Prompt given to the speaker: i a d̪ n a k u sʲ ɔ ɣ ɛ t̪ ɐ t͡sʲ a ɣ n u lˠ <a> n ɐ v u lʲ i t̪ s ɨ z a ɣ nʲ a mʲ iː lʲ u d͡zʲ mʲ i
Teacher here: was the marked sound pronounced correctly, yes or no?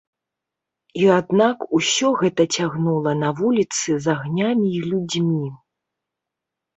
no